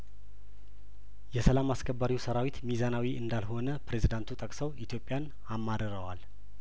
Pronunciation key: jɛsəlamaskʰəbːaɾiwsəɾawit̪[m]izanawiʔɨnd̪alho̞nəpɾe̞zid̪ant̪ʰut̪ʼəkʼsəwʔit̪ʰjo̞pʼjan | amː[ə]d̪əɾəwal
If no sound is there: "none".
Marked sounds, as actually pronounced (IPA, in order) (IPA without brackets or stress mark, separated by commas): m, a